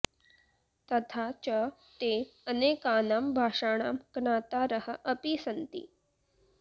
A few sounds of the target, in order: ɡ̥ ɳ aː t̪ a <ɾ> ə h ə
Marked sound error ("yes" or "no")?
no